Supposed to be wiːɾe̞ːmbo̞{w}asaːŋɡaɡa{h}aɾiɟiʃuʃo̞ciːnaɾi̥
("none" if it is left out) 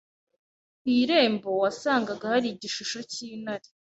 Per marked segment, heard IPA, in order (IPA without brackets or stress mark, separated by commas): w, h